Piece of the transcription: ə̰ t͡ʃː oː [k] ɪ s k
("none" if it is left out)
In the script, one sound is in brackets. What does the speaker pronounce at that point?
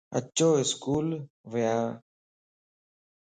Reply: none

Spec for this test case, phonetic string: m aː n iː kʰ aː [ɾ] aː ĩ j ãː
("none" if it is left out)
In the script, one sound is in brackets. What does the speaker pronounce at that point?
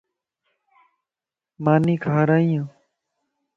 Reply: ɾ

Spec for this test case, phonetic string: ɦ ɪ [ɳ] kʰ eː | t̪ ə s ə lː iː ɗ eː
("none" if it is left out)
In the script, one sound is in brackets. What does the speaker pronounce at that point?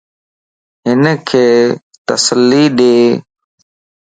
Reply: n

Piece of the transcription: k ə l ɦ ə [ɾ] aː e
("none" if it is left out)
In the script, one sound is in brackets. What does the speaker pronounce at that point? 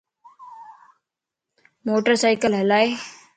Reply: l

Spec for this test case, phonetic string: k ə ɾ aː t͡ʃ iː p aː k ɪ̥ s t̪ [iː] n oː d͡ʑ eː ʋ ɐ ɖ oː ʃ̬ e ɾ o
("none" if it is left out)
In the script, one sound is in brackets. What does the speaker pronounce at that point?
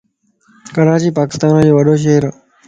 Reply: aː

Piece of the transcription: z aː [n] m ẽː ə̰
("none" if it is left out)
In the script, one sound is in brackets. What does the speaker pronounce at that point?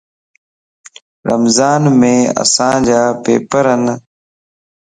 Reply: n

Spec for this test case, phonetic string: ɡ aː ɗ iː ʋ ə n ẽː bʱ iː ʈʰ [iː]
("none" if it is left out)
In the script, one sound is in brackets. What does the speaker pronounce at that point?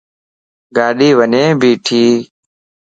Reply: iː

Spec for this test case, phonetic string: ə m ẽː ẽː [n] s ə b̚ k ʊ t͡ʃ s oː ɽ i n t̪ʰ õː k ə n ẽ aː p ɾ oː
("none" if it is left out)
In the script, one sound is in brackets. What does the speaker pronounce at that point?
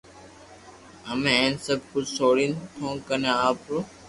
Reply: n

